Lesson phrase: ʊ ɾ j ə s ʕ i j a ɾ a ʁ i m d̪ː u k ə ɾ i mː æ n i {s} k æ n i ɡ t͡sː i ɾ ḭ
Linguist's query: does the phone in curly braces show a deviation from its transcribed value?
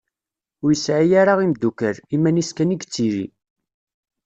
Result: no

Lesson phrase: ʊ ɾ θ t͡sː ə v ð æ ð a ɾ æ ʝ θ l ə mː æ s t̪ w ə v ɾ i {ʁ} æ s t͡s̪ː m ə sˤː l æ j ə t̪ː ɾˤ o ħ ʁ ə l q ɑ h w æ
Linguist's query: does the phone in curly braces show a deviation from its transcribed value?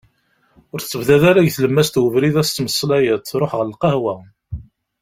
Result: yes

